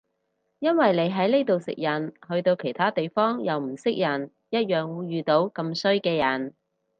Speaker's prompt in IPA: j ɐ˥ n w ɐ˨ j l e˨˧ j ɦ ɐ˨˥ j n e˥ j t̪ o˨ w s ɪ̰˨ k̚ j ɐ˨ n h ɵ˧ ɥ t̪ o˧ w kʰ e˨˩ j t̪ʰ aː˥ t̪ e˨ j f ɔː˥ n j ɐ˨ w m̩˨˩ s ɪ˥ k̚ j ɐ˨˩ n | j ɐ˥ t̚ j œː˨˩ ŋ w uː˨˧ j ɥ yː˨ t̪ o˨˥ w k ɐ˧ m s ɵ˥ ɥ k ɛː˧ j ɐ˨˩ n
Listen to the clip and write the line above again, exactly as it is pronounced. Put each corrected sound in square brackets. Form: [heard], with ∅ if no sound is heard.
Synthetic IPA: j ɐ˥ n w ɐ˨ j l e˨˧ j ɦ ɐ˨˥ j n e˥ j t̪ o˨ w s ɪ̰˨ k̚ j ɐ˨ n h ɵ˧ ɥ t̪ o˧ w kʰ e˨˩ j t̪ʰ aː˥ t̪ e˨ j f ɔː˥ [ŋ] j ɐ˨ w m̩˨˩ s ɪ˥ k̚ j ɐ˨˩ n | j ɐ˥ t̚ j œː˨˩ ŋ w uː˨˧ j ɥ yː˨ t̪ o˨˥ w k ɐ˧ m s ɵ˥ ɥ k ɛː˧ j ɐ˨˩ n